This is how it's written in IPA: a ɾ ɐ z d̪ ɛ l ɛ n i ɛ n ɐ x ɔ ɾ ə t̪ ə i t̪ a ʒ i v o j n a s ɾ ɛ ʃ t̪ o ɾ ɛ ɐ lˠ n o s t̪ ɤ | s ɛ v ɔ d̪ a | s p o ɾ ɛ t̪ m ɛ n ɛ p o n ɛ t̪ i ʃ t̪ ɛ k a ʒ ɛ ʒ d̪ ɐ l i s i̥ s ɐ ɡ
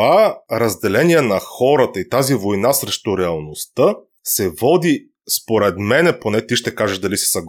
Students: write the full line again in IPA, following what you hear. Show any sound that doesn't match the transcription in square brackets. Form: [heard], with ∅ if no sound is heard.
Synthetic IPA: a ɾ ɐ z d̪ ɛ l ɛ n i ɛ n ɐ x ɔ ɾ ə t̪ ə i t̪ a [z] i v o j n a s ɾ ɛ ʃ t̪ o ɾ ɛ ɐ lˠ n o s t̪ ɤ | s ɛ v ɔ d̪ [i] | s p o ɾ ɛ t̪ m ɛ n ɛ p o n ɛ t̪ i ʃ t̪ ɛ k a ʒ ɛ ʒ d̪ ɐ l i s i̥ s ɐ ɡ